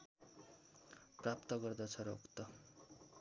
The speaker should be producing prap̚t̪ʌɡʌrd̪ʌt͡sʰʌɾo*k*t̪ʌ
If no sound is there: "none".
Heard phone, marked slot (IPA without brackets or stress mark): k